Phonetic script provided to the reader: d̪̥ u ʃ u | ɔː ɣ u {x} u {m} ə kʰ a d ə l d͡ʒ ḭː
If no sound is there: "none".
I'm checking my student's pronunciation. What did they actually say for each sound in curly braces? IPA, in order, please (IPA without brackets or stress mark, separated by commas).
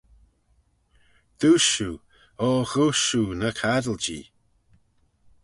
ʃ, n